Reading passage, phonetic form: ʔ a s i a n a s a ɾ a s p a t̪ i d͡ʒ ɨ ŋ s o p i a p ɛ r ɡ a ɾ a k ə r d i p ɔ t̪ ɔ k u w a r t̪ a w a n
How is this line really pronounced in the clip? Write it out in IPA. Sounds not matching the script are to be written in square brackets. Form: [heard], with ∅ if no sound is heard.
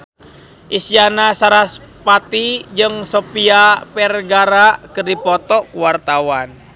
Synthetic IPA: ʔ [i] s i a n a s a ɾ a s p a t̪ i d͡ʒ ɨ ŋ s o p i a p ɛ r ɡ a ɾ a k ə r d i p ɔ t̪ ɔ k u w a r t̪ a w a n